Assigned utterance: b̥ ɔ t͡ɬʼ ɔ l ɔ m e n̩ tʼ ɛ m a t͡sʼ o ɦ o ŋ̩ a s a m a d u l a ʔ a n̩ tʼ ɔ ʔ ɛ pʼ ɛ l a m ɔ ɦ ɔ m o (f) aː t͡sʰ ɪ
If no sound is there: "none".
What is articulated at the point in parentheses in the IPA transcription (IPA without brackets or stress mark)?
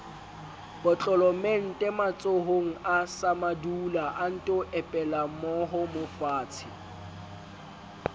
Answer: f